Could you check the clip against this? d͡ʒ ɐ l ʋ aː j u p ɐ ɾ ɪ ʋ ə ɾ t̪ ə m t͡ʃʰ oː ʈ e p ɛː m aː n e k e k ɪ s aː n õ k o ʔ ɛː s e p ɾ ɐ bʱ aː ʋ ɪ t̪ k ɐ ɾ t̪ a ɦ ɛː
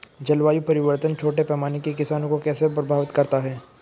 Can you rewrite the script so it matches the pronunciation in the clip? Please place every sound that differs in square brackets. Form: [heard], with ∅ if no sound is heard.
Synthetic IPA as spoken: d͡ʒ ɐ l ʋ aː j u p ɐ ɾ ɪ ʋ ə ɾ t̪ ə [n] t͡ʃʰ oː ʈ e p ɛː m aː n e k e k ɪ s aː n õ k o [k] ɛː s e p ɾ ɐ bʱ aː ʋ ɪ t̪ k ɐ ɾ t̪ a ɦ ɛː